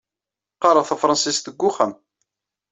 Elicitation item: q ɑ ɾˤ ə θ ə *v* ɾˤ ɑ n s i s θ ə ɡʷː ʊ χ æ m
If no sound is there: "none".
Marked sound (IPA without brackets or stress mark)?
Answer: f